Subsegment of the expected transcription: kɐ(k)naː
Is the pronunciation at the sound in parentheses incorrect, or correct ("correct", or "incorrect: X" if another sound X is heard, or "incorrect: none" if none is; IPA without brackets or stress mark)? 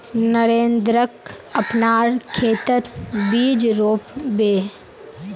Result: incorrect: p